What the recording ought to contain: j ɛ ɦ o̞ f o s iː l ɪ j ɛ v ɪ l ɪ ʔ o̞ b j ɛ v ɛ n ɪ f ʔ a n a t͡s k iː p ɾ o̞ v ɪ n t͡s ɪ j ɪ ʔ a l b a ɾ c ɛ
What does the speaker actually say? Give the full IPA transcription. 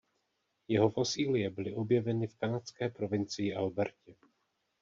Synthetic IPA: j ɛ ɦ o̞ f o s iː l ɪ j ɛ b ɪ l ɪ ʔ o̞ b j ɛ v ɛ n ɪ f k a n a t͡s k ɛː p ɾ o̞ v ɪ n t͡s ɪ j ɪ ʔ a l b ɛ ɾ c ɛ